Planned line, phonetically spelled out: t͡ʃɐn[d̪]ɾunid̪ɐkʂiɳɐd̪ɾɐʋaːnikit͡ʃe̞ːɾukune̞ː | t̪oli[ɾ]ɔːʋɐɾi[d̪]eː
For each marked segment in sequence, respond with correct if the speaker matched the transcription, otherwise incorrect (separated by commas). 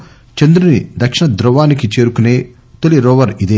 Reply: correct, correct, correct